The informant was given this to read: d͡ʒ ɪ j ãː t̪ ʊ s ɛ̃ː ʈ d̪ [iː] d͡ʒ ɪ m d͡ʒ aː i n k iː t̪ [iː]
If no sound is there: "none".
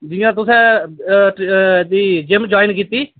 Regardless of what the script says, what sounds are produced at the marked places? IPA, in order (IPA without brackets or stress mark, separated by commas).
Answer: iː, iː